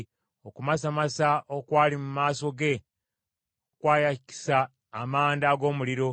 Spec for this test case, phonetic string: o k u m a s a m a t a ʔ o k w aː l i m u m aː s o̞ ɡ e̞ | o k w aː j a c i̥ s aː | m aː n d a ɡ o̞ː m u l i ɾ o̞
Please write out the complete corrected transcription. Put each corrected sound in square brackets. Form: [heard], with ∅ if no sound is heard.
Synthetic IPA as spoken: o k u m a s a m a [s] a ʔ o k w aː l i m u m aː s o̞ ɡ e̞ | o k w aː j a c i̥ s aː | m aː n d a ɡ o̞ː m u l i ɾ o̞